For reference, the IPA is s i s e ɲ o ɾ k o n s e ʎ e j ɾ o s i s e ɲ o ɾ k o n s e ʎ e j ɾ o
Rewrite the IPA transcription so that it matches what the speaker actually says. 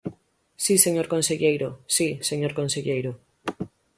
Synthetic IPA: s i s e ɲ o ɾ k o n s e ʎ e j ɾ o s i s e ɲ o ɾ k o n s e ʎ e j ɾ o